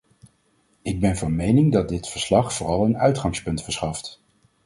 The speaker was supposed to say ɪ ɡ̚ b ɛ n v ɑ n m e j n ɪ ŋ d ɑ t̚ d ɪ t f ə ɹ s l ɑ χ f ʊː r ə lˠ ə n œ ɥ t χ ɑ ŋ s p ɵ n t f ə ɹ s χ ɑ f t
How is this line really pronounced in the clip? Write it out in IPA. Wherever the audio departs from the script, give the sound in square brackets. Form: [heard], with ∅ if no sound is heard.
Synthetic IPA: ɪ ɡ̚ b ɛ n v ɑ n m e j n ɪ ŋ d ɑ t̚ d ɪ t f ə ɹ s l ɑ χ f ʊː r [ɑ] lˠ ə n œ ɥ t χ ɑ ŋ s p ɵ n t f ə ɹ s χ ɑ f t